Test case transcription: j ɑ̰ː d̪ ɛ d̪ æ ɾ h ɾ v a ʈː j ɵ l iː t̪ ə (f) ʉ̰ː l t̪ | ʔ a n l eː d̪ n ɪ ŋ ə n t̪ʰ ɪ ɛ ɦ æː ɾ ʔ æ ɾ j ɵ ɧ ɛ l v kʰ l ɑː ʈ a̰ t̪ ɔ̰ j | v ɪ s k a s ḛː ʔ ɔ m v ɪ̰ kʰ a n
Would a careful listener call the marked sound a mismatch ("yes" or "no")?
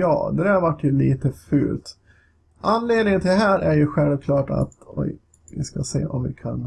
no